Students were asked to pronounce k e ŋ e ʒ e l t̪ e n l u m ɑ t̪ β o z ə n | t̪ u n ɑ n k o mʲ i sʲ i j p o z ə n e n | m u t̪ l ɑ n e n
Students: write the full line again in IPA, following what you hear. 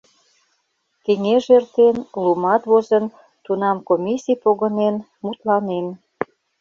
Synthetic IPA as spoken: k e ŋ e ʒ e r t̪ e n l u m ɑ t̪ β o z ə n | t̪ u n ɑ m k o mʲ i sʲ i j p o ɣ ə n e n | m u t̪ l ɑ n e n